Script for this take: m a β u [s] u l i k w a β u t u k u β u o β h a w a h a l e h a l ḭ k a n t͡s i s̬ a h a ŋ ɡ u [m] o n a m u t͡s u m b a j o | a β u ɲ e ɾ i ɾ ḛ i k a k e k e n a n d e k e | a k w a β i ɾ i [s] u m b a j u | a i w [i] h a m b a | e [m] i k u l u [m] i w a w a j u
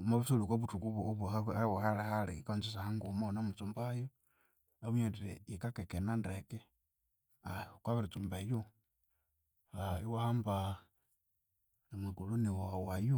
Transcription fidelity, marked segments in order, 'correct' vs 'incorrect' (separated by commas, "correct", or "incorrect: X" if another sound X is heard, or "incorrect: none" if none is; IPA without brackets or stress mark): correct, correct, incorrect: t͡s, incorrect: a, correct, incorrect: n